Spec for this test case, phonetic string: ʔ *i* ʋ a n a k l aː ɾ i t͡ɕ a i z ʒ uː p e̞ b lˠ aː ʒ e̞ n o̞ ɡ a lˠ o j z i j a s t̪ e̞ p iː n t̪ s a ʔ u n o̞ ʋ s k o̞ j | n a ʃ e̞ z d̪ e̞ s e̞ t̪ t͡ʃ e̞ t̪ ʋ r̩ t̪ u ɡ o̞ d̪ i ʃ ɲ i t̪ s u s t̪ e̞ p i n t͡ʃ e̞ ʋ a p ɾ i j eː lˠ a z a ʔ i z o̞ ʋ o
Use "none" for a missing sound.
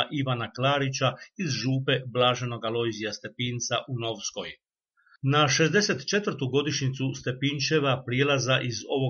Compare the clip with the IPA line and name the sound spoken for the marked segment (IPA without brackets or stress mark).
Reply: i